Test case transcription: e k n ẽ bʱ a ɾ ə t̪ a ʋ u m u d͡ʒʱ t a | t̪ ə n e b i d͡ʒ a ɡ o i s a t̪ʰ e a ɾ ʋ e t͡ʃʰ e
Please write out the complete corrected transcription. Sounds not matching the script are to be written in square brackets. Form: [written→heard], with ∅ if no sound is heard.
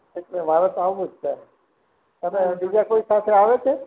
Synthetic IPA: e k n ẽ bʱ a ɾ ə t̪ a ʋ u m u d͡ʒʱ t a | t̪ ə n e b i d͡ʒ a [ɡ→k] o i s a t̪ʰ e a [ɾ→∅] ʋ e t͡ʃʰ e

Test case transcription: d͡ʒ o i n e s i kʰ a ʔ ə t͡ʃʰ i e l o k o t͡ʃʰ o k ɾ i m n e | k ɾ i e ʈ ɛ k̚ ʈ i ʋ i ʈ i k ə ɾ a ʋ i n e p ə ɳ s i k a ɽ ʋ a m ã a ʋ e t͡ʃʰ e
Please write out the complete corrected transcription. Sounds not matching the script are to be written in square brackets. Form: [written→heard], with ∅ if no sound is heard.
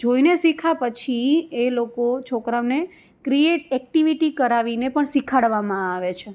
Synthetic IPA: d͡ʒ o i n e s i kʰ a [ʔ→p] ə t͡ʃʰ i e l o k o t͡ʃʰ o k ɾ [i→a] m n e | k ɾ i e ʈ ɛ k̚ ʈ i ʋ i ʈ i k ə ɾ a ʋ i n e p ə ɳ s i [k→kʰ] a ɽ ʋ a m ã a ʋ e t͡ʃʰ e

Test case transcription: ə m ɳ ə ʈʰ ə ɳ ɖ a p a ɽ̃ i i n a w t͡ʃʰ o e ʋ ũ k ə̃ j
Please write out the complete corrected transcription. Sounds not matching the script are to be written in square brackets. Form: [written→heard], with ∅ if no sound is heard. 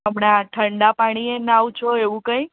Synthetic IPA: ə m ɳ [ə→a] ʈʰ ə ɳ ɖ a p a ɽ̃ i [i→e] n a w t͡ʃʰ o e ʋ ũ k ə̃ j

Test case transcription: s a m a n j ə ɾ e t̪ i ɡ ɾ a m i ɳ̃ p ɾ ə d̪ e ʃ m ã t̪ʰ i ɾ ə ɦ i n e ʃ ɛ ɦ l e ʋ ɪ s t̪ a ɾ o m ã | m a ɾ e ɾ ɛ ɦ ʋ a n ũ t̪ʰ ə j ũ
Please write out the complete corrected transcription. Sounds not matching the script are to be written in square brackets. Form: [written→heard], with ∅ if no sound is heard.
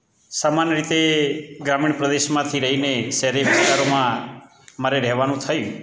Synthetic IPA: s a m a n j ə ɾ [e→i] t̪ [i→e] ɡ ɾ a m i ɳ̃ p ɾ ə d̪ e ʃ m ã t̪ʰ i ɾ ə ɦ i n e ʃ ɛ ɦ [l→ɾ] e ʋ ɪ s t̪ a ɾ o m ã | m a ɾ e ɾ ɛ ɦ ʋ a n ũ t̪ʰ ə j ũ

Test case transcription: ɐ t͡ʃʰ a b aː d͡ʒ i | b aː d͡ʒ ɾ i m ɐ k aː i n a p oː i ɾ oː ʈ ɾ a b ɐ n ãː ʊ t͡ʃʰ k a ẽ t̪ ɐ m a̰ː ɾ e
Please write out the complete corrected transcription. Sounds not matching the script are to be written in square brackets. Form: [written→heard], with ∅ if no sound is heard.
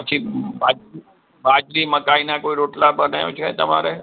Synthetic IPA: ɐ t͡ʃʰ [a→i] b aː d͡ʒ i | b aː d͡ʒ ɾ i m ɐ k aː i n a [p→k] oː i ɾ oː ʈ [ɾ→l] a b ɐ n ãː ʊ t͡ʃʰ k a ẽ t̪ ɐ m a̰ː ɾ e

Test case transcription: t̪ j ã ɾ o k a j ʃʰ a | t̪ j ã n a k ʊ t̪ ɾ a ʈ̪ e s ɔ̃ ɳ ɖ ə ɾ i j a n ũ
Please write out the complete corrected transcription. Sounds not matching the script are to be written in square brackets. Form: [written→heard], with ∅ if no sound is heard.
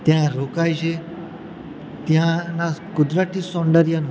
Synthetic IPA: t̪ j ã ɾ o k a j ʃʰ [a→e] | t̪ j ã n a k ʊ [t̪→d̪] ɾ a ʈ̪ [e→i] s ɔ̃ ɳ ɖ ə ɾ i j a n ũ

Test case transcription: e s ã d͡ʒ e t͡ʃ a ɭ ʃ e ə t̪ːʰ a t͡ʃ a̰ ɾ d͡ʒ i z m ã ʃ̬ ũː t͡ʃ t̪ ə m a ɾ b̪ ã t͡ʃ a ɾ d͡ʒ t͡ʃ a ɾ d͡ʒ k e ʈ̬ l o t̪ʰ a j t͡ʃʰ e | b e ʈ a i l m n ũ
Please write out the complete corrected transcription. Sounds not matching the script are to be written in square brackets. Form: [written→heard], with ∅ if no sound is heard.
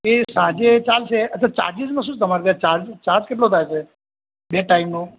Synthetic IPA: e s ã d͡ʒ e t͡ʃ a [ɭ→l] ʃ e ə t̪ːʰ a t͡ʃ a̰ ɾ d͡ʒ i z m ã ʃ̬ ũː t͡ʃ t̪ ə m a ɾ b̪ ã t͡ʃ a ɾ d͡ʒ t͡ʃ a ɾ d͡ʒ k e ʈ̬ l o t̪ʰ a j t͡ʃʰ e | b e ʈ a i [l→∅] m n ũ

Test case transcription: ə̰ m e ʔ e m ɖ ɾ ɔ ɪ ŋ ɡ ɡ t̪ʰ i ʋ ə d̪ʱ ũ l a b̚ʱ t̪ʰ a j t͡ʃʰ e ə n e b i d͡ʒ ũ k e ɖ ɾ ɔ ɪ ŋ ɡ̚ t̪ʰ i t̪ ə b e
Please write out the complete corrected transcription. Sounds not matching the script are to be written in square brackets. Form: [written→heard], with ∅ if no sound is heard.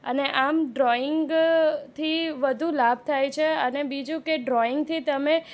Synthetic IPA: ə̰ [m→n] e ʔ [e→a] m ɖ ɾ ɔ ɪ ŋ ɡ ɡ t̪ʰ i ʋ ə d̪ʱ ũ l a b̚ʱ t̪ʰ a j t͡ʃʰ e ə n e b i d͡ʒ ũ k e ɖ ɾ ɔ ɪ ŋ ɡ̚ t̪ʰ i t̪ ə [b→m] e

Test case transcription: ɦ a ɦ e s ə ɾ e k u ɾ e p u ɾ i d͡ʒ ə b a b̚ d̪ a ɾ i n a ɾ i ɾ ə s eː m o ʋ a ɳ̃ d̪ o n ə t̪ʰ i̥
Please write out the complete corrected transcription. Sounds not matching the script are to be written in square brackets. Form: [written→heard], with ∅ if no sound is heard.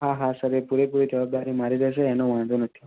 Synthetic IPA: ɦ a ɦ [e→a] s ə ɾ e [k→p] u ɾ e p u ɾ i d͡ʒ ə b a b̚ d̪ a ɾ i [n→m] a ɾ i ɾ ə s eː [m→n] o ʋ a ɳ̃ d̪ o n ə t̪ʰ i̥

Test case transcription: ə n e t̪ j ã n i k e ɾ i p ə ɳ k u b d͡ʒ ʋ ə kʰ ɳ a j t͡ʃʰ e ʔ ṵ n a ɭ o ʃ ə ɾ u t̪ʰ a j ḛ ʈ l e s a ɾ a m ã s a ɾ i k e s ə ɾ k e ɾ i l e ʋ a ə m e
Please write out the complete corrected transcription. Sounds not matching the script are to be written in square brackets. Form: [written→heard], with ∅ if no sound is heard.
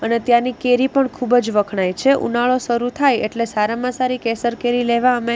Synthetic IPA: ə n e t̪ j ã n i k e ɾ i p ə ɳ [k→kʰ] u b d͡ʒ ʋ ə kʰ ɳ a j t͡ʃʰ e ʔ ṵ n a ɭ o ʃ ə ɾ u t̪ʰ a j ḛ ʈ l e s a ɾ a m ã s a ɾ i k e s ə ɾ k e ɾ i l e ʋ a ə m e

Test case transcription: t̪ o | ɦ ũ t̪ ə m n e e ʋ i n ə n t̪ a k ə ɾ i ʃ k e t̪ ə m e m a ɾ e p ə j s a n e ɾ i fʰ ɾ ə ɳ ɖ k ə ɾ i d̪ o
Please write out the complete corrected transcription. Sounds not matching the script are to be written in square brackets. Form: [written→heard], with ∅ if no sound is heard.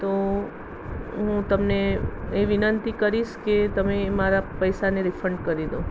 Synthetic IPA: t̪ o | ɦ ũ t̪ ə m n e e ʋ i n ə n t̪ [a→i] k ə ɾ i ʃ k e t̪ ə m e m a ɾ [e→a] p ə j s a n e ɾ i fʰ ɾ ə ɳ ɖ k ə ɾ i d̪ o

